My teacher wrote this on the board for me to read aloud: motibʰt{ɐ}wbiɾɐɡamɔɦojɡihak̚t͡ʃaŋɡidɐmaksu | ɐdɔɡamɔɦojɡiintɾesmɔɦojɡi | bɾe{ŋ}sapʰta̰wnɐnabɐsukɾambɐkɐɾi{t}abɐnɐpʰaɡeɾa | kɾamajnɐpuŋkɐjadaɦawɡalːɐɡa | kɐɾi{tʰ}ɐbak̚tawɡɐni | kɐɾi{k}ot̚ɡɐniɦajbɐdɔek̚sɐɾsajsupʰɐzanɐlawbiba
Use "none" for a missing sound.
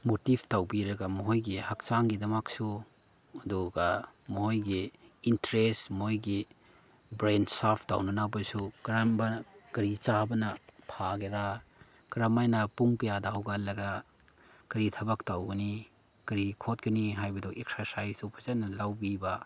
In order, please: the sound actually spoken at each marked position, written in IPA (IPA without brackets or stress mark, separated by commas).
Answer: a, n, t͡ʃ, tʰ, kʰ